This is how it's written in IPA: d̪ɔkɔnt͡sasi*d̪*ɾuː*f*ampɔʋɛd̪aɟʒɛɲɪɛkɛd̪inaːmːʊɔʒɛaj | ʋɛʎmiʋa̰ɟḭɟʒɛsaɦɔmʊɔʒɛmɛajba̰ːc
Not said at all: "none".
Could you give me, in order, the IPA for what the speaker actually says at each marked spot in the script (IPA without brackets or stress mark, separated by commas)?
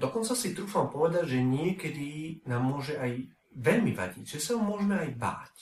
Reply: t̪, f